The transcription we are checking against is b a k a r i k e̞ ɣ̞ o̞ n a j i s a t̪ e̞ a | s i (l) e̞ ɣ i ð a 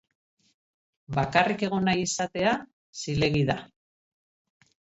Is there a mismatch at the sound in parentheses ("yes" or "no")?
no